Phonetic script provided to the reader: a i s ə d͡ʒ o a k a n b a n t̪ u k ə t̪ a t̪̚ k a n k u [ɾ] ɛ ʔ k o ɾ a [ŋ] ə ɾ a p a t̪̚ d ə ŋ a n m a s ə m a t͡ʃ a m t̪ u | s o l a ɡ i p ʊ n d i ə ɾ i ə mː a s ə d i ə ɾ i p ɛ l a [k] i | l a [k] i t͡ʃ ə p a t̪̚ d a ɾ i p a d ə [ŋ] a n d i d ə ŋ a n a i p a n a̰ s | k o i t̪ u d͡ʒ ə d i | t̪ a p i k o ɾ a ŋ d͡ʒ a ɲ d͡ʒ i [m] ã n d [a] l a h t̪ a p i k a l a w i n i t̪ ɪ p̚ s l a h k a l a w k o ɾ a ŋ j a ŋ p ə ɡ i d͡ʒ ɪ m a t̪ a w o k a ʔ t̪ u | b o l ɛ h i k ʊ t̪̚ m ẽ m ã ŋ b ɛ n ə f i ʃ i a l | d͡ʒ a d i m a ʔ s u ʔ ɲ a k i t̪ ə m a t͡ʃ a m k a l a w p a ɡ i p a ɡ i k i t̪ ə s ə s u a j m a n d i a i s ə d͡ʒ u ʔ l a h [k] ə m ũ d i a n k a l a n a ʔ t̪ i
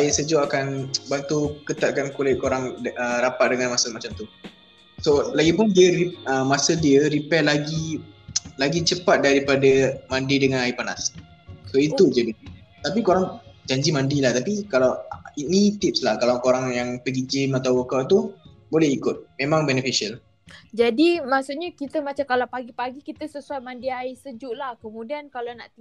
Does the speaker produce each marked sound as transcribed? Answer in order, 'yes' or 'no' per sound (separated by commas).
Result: no, yes, no, no, no, yes, no, yes